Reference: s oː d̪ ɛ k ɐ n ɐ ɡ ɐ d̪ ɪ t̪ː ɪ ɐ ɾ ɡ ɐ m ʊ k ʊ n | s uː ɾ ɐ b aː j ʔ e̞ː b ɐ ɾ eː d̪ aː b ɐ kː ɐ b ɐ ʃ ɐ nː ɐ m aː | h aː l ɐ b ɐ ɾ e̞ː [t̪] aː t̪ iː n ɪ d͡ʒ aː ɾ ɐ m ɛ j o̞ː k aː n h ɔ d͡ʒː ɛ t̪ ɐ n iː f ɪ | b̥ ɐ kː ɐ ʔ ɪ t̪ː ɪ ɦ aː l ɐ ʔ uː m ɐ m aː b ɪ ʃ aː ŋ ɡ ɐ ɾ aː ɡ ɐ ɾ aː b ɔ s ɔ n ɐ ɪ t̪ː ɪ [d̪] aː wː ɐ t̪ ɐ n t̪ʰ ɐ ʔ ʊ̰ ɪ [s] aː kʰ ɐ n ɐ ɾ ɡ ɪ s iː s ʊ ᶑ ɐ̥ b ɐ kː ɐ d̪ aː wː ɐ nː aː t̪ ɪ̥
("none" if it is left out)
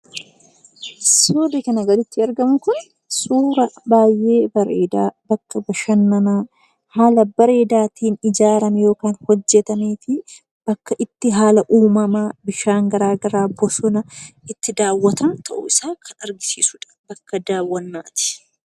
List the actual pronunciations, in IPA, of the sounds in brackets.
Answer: d̪, d̪, s

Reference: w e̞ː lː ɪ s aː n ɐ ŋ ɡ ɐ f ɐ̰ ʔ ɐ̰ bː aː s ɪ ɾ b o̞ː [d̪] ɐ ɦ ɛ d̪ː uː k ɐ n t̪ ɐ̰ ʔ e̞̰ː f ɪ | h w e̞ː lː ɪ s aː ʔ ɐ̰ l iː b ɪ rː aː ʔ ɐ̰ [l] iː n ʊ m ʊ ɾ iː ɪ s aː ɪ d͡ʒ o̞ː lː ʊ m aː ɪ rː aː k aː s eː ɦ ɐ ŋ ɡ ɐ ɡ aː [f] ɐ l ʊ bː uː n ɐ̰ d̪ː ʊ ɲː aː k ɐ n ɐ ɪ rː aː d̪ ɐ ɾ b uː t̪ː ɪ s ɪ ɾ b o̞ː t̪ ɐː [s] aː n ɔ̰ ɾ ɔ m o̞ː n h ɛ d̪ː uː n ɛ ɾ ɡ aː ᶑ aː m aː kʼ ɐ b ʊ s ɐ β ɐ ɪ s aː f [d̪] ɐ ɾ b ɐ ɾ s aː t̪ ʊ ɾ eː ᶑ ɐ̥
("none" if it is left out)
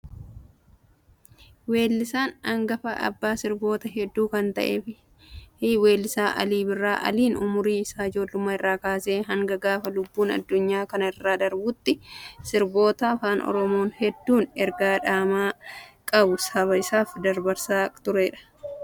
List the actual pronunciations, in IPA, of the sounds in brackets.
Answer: t̪, l, f, f, d̪

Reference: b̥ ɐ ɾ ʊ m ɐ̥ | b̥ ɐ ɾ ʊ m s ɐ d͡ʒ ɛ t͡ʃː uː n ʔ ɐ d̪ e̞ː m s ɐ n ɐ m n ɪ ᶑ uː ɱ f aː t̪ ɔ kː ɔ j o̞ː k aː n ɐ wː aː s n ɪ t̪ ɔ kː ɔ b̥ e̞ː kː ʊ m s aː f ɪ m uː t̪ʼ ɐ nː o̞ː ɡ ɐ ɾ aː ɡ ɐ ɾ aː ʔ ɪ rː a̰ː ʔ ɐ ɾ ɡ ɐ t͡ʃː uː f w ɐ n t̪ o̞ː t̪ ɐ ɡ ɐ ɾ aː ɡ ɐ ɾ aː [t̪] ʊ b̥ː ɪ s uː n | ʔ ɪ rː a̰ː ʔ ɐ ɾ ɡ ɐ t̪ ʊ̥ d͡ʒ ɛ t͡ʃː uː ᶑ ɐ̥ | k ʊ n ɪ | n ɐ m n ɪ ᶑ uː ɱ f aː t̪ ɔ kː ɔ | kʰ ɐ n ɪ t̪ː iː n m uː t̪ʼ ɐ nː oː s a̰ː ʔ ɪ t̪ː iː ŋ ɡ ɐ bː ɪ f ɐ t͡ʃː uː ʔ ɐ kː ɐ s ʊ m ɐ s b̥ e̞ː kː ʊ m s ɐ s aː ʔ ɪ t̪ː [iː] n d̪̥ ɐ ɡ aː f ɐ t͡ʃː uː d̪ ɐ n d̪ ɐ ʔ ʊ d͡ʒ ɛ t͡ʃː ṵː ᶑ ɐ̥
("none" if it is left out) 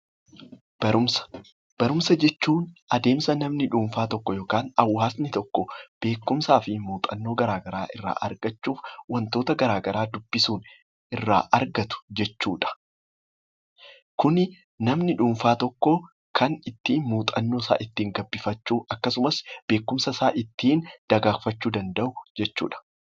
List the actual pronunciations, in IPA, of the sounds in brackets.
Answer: d̪, iː

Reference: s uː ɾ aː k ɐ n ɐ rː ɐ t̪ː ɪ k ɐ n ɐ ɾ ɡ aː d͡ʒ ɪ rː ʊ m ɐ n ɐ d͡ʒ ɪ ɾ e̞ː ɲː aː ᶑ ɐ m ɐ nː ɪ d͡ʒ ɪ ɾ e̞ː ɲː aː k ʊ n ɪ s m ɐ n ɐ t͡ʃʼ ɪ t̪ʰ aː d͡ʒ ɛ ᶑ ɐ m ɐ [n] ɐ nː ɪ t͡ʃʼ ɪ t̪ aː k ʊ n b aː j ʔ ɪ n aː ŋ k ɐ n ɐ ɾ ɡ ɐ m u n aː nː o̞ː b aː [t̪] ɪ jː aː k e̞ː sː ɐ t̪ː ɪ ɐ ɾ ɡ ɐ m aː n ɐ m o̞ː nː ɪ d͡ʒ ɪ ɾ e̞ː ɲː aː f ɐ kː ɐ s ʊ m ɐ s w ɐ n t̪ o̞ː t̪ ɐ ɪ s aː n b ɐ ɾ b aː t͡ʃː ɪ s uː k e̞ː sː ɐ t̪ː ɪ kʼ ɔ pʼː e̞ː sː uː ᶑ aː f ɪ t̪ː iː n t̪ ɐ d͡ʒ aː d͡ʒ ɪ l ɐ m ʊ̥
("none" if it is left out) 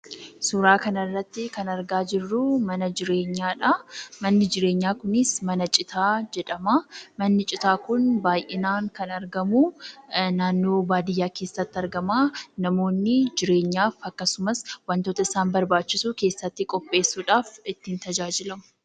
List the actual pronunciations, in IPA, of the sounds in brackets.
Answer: m, d̪

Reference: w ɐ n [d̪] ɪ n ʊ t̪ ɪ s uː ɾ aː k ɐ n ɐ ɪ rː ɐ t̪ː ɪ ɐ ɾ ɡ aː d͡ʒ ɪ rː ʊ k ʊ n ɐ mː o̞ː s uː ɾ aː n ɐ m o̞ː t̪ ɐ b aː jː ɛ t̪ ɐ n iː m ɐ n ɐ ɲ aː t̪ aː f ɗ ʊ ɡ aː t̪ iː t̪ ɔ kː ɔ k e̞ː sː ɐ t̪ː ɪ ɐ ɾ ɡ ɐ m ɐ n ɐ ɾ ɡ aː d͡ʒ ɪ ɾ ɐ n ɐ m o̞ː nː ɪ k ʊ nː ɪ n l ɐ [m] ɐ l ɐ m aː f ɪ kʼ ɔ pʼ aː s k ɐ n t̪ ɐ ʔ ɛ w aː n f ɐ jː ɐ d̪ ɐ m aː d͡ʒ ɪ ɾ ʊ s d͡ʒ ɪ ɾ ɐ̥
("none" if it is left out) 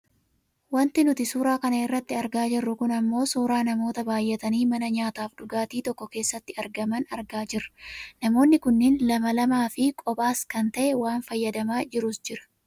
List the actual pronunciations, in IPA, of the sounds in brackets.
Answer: t̪, m

